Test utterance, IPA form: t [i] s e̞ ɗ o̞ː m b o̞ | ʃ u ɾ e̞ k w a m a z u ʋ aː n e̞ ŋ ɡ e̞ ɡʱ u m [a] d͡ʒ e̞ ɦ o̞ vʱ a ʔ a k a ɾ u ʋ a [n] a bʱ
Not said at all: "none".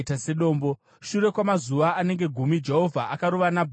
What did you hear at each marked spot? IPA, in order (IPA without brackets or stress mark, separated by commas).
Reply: a, i, n